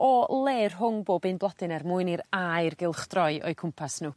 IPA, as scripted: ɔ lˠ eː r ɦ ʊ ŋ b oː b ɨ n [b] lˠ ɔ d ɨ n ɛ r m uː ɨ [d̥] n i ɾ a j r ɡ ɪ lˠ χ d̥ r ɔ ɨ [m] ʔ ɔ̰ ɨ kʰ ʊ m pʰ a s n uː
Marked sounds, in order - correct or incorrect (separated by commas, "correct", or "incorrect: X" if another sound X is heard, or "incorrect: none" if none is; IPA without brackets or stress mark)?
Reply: correct, incorrect: none, incorrect: none